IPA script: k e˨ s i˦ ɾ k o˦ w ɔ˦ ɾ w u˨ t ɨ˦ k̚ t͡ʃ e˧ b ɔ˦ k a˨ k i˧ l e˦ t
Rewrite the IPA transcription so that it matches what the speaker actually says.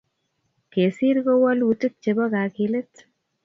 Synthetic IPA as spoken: k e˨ s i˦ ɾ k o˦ w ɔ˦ l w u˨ t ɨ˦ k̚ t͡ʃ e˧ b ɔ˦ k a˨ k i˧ l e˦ t

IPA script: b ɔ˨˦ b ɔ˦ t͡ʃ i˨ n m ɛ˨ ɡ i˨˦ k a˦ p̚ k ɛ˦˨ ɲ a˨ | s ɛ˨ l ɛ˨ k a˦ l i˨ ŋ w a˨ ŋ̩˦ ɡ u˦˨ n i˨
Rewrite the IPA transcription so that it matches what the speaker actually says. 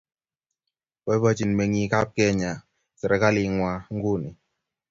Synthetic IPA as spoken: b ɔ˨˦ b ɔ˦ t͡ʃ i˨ n m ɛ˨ ŋ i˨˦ k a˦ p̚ k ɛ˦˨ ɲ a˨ | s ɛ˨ ɾ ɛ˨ k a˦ l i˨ ŋ w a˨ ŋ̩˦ ɡ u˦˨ n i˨

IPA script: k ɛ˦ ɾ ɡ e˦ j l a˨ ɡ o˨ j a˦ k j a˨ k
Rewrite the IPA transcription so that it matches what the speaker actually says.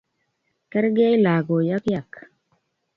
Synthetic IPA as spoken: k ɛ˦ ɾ ɡ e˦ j l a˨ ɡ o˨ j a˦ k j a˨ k

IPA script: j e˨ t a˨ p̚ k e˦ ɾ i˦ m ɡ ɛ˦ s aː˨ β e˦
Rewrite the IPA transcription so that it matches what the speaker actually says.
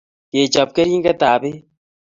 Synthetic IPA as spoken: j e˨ t͡ʃ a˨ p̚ k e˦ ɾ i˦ ŋ ɡ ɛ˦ t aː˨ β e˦

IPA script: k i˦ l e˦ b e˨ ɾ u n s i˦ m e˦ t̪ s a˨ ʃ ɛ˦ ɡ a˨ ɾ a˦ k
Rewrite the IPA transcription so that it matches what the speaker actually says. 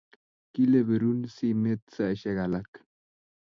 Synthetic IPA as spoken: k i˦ l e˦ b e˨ ɾ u n s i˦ m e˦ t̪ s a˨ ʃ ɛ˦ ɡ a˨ l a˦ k

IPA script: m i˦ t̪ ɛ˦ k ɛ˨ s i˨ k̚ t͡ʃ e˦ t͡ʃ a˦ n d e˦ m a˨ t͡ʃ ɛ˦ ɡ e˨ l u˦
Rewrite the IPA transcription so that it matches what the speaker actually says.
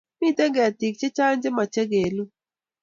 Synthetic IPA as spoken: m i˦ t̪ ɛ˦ ɡ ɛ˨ t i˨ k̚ t͡ʃ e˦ t͡ʃ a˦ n d͡ʒ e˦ m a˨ t͡ʃ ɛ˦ ɡ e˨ l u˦

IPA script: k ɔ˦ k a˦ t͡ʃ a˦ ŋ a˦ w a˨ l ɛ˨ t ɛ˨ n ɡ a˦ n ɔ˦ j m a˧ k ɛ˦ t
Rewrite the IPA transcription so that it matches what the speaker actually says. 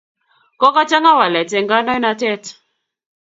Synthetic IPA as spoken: k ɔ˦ k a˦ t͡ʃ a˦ ŋ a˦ w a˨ l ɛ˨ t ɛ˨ ŋ ɡ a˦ n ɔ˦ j n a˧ t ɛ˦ t

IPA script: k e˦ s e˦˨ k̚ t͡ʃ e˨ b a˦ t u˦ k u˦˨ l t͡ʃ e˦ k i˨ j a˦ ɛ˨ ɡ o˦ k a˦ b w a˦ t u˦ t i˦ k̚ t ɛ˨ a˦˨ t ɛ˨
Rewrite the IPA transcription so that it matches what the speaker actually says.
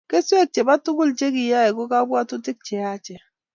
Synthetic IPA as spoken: k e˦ s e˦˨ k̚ t͡ʃ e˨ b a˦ t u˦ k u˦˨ l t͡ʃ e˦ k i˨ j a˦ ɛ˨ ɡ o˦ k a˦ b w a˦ t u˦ t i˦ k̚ t͡ʃ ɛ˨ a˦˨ t͡ʃ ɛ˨

